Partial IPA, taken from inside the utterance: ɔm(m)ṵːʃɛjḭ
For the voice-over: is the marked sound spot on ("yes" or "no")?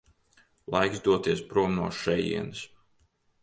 no